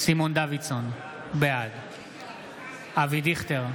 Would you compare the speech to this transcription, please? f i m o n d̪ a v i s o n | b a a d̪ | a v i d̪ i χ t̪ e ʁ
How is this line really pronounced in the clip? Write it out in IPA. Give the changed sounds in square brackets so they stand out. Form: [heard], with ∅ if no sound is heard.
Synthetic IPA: [s] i m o n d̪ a v i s o n | b [e] a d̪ | a v i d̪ i χ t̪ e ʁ